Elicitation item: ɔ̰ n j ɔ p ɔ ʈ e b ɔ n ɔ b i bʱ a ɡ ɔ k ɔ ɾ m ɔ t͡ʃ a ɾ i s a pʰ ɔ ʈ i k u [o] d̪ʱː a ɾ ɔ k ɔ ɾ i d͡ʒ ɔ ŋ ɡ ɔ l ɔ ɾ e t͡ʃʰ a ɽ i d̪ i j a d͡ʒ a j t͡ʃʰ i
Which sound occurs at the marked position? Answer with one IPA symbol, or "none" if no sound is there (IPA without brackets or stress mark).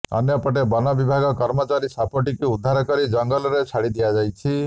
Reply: u